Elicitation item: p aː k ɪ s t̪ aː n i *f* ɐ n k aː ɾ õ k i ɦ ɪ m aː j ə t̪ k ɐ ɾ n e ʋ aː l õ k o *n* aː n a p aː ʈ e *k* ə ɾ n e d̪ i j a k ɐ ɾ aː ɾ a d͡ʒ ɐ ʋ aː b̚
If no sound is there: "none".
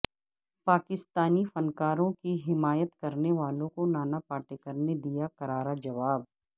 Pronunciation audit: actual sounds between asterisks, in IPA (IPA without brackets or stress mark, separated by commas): f, n, k